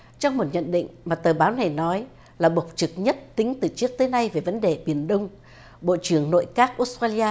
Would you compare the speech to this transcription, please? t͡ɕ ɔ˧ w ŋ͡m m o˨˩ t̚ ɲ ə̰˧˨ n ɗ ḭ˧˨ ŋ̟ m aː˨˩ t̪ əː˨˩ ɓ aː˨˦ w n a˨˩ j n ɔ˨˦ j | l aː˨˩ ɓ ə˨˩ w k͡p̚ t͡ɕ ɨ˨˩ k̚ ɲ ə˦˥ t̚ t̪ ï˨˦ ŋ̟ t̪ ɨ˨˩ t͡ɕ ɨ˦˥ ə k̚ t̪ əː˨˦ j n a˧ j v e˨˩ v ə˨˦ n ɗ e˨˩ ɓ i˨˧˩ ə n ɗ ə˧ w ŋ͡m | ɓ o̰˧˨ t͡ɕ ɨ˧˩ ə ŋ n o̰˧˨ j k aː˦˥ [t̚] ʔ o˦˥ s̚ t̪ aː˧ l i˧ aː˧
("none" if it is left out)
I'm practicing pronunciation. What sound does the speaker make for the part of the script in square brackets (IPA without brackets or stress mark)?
k̚